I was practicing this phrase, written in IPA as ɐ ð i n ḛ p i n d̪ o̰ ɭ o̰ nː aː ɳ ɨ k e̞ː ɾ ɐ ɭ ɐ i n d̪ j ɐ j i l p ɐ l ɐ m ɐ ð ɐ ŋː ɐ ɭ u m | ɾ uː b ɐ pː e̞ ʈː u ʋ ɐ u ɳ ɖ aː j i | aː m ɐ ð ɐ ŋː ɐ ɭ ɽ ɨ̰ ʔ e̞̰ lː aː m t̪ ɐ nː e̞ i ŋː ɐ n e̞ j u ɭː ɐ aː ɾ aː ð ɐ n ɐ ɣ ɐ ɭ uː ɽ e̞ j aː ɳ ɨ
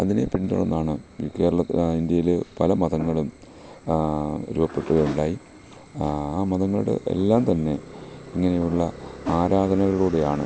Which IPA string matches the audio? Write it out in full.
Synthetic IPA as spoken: ɐ ð i n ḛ p i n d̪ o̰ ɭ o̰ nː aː ɳ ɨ k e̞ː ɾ ɐ ɭ ɐ i n d̪ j ɐ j i l p ɐ l ɐ m ɐ ð ɐ ŋː ɐ ɭ u m | ɾ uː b ɐ pː e̞ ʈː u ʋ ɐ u ɳ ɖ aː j i | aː m ɐ ð ɐ ŋː ɐ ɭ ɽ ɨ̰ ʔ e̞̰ lː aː m t̪ ɐ nː e̞ i ŋː ɐ n e̞ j u ɭː ɐ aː ɾ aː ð ɐ n ɐ ɣ ɐ ɭ uː ɽ e̞ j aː ɳ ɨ